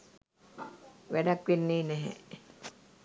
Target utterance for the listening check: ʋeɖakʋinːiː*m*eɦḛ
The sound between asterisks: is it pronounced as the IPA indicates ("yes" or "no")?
no